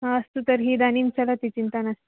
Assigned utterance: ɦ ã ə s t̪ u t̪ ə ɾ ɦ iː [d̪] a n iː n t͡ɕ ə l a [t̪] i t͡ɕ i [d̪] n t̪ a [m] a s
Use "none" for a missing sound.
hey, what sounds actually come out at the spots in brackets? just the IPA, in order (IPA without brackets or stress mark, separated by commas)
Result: d̪, t̪, none, n